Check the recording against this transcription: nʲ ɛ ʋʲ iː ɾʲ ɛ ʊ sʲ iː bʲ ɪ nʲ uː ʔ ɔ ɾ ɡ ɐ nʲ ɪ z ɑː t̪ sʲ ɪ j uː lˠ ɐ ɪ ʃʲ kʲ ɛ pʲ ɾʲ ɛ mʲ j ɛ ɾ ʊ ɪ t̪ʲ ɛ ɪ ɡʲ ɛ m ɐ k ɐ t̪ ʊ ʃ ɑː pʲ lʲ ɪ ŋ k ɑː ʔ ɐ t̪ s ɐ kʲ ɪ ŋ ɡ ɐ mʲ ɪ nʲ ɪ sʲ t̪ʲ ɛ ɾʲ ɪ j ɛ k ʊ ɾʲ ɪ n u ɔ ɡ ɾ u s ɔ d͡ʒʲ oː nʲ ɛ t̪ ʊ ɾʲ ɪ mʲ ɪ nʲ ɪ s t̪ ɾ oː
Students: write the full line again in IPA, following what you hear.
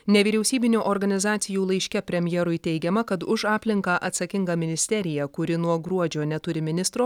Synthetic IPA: nʲ ɛ ʋʲ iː ɾʲ ɛ ʊ sʲ iː bʲ ɪ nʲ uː ʔ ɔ ɾ ɡ ɐ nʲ ɪ z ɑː t̪ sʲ ɪ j uː lˠ ɐ ɪ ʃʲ kʲ ɛ pʲ ɾʲ ɛ mʲ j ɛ ɾ ʊ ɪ t̪ʲ ɛ ɪ ɡʲ ɛ m ɐ k ɐ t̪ ʊ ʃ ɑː pʲ lʲ ɪ ŋ k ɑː ʔ ɐ t̪ s ɐ kʲ ɪ ŋ ɡ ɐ mʲ ɪ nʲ ɪ sʲ t̪ʲ ɛ ɾʲ ɪ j ɛ k ʊ ɾʲ ɪ n u ɔ ɡ ɾ u ɔ d͡ʒʲ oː nʲ ɛ t̪ ʊ ɾʲ ɪ mʲ ɪ nʲ ɪ s t̪ ɾ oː

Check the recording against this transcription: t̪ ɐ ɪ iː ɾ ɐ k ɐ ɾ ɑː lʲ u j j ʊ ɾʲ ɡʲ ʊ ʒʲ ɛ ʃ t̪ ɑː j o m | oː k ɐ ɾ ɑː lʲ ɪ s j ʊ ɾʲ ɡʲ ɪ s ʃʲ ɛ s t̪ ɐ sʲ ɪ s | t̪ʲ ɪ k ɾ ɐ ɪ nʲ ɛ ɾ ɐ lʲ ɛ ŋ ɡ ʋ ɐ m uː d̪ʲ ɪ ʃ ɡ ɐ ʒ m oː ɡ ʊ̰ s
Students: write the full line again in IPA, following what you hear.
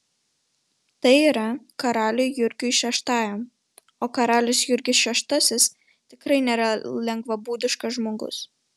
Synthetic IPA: t̪ ɐ ɪ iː ɾ ɐ k ɐ ɾ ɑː lʲ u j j ʊ ɾʲ ɡʲ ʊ ʃʲ ɛ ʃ t̪ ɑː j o m | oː k ɐ ɾ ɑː lʲ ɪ s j ʊ ɾʲ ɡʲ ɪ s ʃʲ ɛ ʃ t̪ ɐ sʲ ɪ s | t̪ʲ ɪ k ɾ ɐ ɪ nʲ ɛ ɾ ɐ lʲ ɛ ŋ ɡ ʋ ɐ b uː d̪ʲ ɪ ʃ k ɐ ʒ m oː ɡ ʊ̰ s

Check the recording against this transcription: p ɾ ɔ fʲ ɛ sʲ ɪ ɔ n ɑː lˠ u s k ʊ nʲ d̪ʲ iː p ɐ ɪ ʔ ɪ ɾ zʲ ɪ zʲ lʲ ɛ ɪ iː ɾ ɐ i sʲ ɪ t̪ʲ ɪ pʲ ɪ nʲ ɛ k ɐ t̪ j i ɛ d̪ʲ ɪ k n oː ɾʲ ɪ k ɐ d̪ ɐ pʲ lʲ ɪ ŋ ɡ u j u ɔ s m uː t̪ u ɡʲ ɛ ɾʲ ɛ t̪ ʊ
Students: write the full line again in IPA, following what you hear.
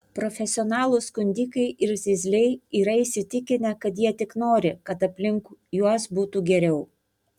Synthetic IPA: p ɾ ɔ fʲ ɛ sʲ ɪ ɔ n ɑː lˠ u s k ʊ nʲ d̪ʲ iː k ɐ ɪ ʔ ɪ ɾ zʲ ɪ zʲ lʲ ɛ ɪ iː ɾ ɐ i sʲ ɪ t̪ʲ ɪ kʲ ɪ nʲ ɛ k ɐ t̪ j i ɛ t̪ʲ ɪ k n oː ɾʲ ɪ k ɐ t̪ ɐ pʲ lʲ ɪ ŋ k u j u ɔ s b uː t̪ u ɡʲ ɛ ɾʲ ɛ ʊ

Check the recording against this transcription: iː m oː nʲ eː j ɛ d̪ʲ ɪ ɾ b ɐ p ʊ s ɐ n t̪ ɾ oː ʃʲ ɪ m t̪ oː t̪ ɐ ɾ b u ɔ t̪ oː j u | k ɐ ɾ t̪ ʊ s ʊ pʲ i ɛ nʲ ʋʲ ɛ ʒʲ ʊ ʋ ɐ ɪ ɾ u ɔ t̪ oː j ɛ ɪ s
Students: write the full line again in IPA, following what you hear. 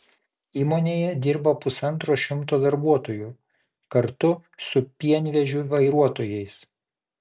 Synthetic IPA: iː m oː nʲ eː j ɛ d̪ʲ ɪ ɾ b ɐ p ʊ s ɐ n t̪ ɾ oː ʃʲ ɪ m t̪ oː d̪ ɐ ɾ b u ɔ t̪ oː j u | k ɐ ɾ t̪ ʊ s ʊ pʲ i ɛ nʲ ʋʲ ɛ ʒʲ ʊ ʋ ɐ ɪ ɾ u ɔ t̪ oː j ɛ ɪ s

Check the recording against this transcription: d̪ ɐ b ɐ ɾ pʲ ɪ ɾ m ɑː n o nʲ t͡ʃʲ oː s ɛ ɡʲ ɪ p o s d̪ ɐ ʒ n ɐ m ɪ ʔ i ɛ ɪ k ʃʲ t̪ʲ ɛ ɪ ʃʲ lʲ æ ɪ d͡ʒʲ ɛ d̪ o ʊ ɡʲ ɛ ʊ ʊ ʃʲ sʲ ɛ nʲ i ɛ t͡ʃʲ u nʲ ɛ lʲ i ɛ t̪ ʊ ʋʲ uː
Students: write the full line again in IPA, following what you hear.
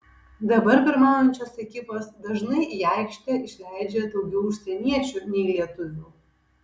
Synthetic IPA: d̪ ɐ b ɐ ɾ pʲ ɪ ɾ m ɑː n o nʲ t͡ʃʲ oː s ɛ kʲ ɪ p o s d̪ ɐ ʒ n ɐ ɪ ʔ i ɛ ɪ k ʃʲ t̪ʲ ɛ ɪ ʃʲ lʲ æ ɪ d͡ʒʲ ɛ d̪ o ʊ ɡʲ ɛ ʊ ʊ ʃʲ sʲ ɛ nʲ i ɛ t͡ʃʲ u nʲ ɛ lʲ i ɛ t̪ ʊ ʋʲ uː

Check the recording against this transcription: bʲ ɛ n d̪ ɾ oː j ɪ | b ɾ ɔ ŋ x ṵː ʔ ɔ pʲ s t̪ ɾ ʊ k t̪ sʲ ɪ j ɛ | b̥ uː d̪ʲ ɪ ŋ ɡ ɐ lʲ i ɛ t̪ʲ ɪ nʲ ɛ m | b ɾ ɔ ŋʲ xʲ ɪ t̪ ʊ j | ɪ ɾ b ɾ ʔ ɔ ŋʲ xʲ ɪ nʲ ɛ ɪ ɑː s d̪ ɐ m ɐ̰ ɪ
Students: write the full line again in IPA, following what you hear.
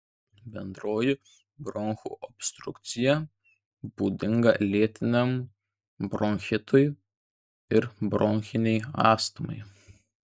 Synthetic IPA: bʲ ɛ n d̪ ɾ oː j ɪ | b ɾ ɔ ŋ x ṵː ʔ ɔ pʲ s t̪ ɾ ʊ k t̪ sʲ ɪ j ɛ | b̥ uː d̪ʲ ɪ ŋ ɡ ɐ lʲ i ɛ t̪ʲ ɪ nʲ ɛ m | b ɾ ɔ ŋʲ xʲ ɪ t̪ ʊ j | ɪ ɾ b ɾ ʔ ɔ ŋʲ xʲ ɪ nʲ ɛ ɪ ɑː s t̪ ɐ m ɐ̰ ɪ

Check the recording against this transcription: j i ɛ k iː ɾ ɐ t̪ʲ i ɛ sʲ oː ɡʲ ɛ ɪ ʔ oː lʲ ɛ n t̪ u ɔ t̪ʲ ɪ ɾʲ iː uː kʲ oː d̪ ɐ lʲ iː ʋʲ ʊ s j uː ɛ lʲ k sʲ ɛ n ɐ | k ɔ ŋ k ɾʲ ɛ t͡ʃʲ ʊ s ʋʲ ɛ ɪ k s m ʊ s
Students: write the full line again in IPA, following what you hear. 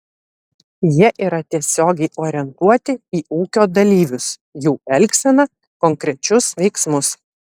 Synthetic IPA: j i ɛ ʔ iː ɾ ɐ t̪ʲ i ɛ sʲ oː ɡʲ ɛ ɪ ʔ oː ɾʲ ɛ n t̪ u ɔ t̪ʲ ɪ iː uː kʲ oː d̪ ɐ lʲ iː ʋʲ ʊ s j uː ɛ lʲ k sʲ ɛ n ɐ | k ɔ ŋ k ɾʲ ɛ t͡ʃʲ ʊ s ʋʲ ɛ ɪ k s m ʊ s

